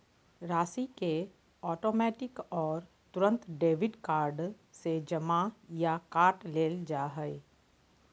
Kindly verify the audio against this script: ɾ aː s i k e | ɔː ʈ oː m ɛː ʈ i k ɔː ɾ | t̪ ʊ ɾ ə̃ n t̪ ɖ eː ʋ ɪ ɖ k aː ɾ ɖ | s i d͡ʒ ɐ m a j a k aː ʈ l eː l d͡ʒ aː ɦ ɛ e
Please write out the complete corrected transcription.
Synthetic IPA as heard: ɾ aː s i k e | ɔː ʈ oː m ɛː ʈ ɪ k ɔː ɾ | t̪ ʊ ɾ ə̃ n t̪ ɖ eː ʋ ɪ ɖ k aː ɾ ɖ | s e d͡ʒ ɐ m a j a k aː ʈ l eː l d͡ʒ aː ɦ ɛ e